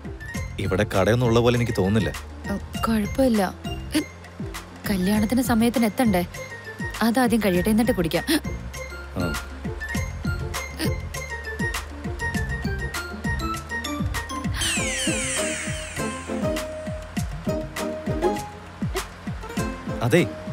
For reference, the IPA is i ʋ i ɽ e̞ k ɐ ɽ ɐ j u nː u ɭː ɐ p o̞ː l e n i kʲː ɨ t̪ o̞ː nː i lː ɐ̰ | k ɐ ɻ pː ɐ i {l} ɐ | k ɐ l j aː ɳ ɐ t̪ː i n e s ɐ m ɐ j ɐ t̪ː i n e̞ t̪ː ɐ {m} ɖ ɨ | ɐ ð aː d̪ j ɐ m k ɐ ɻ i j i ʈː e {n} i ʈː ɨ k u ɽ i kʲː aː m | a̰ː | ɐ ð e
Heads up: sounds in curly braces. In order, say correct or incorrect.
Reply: incorrect, incorrect, incorrect

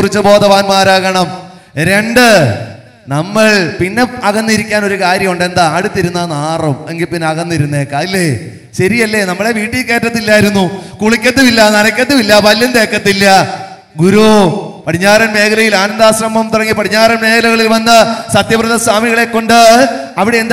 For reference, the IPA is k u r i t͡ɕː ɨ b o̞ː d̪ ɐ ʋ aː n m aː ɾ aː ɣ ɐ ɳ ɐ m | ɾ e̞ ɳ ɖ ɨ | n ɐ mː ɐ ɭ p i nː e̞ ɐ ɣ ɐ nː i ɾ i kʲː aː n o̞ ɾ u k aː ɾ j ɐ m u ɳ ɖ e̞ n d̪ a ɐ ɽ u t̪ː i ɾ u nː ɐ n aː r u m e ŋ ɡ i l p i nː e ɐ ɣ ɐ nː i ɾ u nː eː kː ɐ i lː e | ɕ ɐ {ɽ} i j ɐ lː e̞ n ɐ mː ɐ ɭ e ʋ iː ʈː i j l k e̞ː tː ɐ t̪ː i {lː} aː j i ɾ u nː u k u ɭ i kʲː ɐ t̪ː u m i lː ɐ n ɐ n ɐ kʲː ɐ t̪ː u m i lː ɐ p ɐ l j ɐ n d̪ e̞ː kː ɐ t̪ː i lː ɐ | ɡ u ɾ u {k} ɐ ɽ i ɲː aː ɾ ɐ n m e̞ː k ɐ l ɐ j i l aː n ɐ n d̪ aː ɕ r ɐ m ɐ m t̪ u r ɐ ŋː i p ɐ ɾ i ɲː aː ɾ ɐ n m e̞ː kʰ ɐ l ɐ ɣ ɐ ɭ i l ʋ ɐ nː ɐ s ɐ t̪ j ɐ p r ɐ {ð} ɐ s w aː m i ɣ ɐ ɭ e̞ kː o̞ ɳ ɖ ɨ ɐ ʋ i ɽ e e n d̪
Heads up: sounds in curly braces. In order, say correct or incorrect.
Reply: incorrect, correct, incorrect, correct

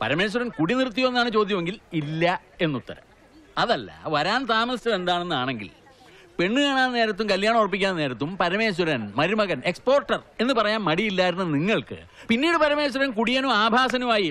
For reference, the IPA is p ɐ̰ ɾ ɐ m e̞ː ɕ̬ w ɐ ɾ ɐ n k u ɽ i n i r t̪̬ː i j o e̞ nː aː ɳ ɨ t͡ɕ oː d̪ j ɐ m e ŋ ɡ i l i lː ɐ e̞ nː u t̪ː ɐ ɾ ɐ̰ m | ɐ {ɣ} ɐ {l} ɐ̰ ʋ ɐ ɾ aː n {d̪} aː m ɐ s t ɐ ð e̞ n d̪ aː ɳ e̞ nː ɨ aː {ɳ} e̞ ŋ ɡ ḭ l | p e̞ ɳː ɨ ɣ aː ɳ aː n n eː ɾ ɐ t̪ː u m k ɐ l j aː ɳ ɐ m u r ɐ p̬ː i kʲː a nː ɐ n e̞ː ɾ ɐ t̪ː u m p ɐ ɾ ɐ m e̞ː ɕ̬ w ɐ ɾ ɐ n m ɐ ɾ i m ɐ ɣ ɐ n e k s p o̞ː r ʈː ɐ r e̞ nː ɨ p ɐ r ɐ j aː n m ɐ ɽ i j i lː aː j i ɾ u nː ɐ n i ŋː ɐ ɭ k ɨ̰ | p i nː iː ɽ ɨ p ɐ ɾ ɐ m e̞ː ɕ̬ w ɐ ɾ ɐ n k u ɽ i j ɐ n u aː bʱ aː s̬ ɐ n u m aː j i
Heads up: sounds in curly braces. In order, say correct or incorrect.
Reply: incorrect, incorrect, incorrect, correct

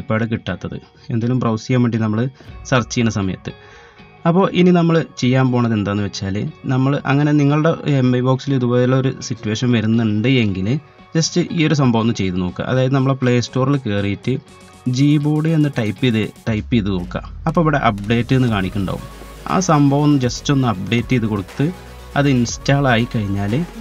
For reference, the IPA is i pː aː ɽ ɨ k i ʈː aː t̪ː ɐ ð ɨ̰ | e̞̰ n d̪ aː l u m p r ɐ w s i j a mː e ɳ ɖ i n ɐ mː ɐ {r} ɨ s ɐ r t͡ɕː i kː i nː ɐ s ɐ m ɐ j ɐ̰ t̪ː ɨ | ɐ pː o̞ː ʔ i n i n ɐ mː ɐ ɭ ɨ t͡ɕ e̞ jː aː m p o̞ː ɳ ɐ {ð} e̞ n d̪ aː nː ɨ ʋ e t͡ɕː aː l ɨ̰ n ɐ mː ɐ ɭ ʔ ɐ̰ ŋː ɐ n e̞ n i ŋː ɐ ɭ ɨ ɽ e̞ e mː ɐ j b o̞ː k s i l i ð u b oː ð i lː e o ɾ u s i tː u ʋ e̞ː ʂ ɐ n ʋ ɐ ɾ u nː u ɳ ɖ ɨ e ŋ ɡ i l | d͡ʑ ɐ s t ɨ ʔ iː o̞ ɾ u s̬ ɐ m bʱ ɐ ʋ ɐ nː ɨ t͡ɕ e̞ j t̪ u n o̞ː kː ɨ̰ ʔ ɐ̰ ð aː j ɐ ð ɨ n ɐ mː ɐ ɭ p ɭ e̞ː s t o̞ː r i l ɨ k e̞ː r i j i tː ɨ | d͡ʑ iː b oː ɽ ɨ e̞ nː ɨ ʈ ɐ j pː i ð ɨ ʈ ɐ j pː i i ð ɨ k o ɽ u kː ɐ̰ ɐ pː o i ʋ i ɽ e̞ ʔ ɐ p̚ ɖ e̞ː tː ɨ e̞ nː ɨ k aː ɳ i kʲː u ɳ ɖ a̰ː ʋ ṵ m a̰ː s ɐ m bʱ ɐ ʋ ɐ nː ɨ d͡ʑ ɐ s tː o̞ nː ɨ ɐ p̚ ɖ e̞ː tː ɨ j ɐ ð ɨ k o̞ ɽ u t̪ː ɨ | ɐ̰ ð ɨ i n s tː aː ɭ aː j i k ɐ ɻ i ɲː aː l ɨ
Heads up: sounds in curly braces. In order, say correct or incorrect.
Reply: incorrect, correct

